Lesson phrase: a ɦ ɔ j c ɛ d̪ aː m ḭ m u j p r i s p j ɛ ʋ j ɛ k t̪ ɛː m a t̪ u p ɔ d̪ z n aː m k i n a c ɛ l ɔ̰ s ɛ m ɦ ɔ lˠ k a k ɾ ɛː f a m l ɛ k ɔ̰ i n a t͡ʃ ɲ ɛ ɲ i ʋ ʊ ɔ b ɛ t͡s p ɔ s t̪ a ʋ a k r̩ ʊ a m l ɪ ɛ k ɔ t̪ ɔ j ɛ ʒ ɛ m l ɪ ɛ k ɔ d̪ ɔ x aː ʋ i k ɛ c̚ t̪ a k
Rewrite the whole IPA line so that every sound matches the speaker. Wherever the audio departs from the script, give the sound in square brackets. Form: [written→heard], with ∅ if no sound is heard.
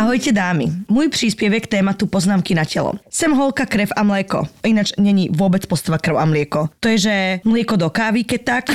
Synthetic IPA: a ɦ ɔ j c ɛ d̪ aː m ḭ m u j p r i s p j ɛ ʋ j ɛ k t̪ ɛː m a t̪ u p ɔ [d̪→∅] z n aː m k i n a c ɛ l ɔ̰ s ɛ m ɦ ɔ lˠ k a k ɾ [ɛː→ɛ] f a m l ɛ k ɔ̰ i n a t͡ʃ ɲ ɛ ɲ i ʋ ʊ ɔ b ɛ t͡s p ɔ s t̪ a ʋ a k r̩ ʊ a m l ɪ ɛ k ɔ t̪ ɔ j ɛ ʒ ɛ m l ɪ ɛ k ɔ d̪ ɔ [x→k] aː ʋ i k ɛ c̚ t̪ a k